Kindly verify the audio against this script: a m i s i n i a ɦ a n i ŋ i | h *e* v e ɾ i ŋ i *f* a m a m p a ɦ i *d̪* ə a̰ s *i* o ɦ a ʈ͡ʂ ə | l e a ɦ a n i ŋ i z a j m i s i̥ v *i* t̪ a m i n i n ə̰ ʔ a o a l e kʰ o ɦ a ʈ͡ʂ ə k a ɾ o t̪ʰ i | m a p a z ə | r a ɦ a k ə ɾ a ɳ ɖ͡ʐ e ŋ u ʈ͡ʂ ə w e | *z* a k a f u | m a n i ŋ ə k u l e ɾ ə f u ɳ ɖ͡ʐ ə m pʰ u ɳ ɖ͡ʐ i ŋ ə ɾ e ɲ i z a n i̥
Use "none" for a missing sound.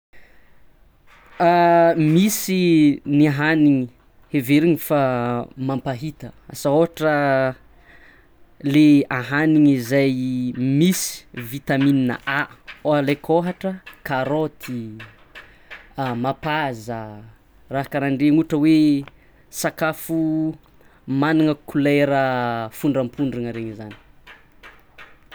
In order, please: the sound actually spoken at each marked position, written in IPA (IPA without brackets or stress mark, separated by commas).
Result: e, f, t̪, a, i, s